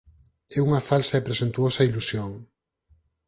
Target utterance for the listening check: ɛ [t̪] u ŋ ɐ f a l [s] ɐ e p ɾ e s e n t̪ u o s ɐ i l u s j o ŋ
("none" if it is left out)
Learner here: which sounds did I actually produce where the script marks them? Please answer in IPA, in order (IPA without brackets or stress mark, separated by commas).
none, s